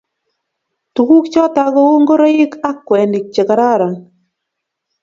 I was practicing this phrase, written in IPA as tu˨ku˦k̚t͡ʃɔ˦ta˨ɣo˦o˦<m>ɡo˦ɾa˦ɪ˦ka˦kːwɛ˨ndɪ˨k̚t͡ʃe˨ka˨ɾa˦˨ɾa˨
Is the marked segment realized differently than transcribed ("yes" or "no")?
yes